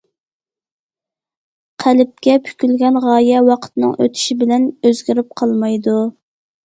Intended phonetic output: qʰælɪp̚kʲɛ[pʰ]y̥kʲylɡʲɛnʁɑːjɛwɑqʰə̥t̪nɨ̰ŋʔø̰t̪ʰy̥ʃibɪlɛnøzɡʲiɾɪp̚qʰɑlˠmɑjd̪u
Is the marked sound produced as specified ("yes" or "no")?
yes